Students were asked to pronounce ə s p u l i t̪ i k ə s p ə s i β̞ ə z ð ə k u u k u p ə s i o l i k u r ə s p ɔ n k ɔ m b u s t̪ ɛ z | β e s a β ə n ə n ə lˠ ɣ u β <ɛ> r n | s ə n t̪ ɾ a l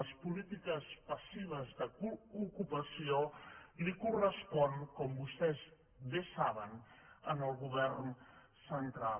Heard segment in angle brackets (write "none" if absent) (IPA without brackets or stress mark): ɛ